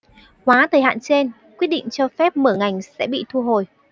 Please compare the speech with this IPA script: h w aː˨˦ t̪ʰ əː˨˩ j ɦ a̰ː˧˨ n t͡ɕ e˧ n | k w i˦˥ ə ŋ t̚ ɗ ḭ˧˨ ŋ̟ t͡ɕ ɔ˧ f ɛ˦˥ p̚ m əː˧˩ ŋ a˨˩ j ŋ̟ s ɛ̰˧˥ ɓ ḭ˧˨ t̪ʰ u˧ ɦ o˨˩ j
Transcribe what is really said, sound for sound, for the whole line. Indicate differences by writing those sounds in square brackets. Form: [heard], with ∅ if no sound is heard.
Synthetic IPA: h w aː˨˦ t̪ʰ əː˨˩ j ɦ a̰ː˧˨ n t͡ɕ e˧ n | k w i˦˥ ə [∅] t̚ ɗ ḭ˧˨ ŋ̟ t͡ɕ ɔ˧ f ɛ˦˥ p̚ m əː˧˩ ŋ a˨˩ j ŋ̟ s ɛ̰˧˥ ɓ ḭ˧˨ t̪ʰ u˧ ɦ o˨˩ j